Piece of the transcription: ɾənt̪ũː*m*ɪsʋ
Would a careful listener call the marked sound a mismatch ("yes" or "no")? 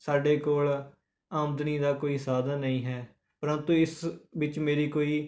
yes